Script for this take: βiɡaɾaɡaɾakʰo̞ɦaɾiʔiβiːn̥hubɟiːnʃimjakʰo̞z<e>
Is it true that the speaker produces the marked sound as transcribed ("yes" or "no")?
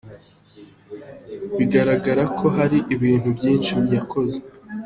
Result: yes